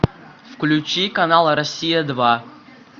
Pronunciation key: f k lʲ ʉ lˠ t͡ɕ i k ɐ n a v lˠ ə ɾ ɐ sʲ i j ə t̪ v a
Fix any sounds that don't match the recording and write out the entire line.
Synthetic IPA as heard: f k lʲ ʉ t͡ɕ i k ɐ n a lˠ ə ɾ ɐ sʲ i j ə d̪ v a